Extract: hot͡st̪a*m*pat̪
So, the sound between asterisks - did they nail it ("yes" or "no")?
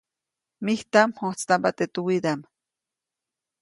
yes